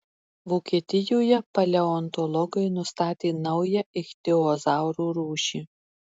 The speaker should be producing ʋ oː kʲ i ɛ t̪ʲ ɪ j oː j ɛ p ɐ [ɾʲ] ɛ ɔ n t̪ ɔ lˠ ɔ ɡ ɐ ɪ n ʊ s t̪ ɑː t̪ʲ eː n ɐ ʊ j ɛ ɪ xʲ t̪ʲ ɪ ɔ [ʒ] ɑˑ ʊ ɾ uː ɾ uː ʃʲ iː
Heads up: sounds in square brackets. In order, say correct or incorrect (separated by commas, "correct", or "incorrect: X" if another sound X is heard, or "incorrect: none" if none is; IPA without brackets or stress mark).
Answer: incorrect: lʲ, incorrect: z